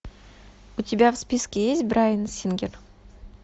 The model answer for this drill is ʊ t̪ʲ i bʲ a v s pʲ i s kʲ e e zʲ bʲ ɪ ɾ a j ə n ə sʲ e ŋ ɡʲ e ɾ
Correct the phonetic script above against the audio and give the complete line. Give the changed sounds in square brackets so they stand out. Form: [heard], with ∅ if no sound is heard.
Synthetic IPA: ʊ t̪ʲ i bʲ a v s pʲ i s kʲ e e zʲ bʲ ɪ ɾ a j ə n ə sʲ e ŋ ɡʲ e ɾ